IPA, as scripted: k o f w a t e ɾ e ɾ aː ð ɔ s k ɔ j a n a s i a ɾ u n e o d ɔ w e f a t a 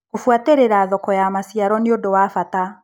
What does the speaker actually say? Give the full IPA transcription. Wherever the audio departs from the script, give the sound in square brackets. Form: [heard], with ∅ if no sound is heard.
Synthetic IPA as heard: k o f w a t e ɾ e ɾ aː ð ɔ [∅] k ɔ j a [m] a s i a ɾ [ɔ] n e o d [o] w [a] f a t a